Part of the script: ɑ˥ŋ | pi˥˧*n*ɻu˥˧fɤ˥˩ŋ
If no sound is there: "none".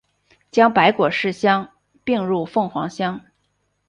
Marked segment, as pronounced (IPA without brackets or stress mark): ŋ